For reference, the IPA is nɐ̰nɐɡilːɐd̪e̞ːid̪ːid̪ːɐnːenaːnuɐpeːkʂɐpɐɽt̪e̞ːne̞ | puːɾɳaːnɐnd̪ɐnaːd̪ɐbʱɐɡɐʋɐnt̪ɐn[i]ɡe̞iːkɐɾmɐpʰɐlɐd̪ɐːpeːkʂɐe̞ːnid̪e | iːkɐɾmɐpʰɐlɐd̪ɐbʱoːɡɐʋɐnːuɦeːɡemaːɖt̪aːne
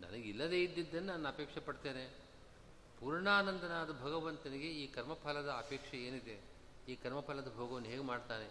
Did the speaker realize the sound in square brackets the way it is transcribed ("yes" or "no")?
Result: yes